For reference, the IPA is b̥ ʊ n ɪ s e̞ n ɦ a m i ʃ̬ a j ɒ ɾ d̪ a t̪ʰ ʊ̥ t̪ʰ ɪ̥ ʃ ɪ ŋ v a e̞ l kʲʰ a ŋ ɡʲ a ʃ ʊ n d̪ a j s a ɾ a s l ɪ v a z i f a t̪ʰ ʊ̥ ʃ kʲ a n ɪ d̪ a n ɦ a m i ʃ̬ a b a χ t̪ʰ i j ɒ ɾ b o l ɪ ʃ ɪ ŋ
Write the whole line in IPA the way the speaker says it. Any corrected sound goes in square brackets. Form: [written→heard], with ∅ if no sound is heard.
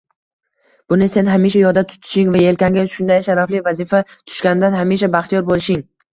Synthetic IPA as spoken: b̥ ʊ n ɪ s e̞ n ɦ a m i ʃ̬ a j ɒ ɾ d̪ a t̪ʰ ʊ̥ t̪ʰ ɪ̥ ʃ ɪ ŋ v a e̞ l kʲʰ a ŋ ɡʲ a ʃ ʊ n d̪ a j [s→ʃ] a ɾ a [s→f] l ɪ v a z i f a t̪ʰ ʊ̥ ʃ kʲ a n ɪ d̪ a n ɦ a m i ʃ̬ a b a χ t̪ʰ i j ɒ ɾ b o l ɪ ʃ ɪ ŋ